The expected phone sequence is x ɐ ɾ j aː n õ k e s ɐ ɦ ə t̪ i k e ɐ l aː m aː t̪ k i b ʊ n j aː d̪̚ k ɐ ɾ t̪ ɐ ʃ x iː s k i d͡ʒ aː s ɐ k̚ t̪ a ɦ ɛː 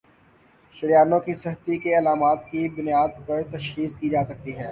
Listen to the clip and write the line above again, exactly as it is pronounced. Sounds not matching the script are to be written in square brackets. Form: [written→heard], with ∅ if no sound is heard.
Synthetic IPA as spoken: [x→ʃ] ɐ ɾ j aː n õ k [e→i] s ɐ ɦ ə t̪ i k e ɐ l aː m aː t̪ k i b ʊ n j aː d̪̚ [k→p] ɐ ɾ t̪ ɐ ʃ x iː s k i d͡ʒ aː s ɐ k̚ t̪ [a→i] ɦ ɛː